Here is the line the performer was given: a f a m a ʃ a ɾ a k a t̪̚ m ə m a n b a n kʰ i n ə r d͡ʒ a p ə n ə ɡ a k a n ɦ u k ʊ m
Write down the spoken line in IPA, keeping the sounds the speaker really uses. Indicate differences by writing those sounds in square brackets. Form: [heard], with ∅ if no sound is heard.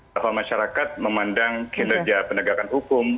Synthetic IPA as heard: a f a m a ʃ a ɾ a k a t̪̚ m ə m a n [d] a [ŋ] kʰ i n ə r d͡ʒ a p ə n ə ɡ a k a n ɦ u k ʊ m